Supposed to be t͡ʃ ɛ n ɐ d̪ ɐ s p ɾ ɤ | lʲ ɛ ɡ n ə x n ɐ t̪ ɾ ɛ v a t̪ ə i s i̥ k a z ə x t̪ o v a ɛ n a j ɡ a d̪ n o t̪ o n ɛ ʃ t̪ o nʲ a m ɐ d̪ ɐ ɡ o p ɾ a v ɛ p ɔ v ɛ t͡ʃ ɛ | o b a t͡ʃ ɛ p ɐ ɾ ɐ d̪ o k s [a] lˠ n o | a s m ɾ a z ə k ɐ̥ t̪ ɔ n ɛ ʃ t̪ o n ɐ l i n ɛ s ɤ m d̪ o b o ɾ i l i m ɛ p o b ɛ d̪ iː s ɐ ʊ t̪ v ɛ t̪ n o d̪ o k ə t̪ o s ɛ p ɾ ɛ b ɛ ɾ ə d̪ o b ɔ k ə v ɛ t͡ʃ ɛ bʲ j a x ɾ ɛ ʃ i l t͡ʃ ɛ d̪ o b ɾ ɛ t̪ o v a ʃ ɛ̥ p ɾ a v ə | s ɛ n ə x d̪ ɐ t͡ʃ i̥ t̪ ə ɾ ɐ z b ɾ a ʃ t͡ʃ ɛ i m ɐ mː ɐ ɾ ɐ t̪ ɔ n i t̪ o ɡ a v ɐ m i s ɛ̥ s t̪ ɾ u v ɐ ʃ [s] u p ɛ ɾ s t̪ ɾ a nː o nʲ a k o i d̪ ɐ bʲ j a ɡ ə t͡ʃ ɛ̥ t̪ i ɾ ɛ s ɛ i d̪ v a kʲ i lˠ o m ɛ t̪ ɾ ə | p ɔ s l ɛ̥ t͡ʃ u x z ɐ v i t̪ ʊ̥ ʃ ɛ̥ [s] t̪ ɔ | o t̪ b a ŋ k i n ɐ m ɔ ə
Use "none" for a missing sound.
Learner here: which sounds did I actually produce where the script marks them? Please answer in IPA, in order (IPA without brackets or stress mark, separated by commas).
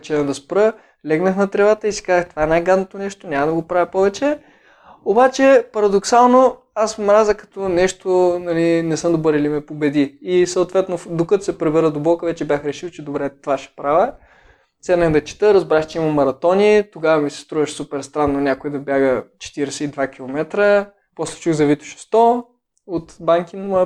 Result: a, s, s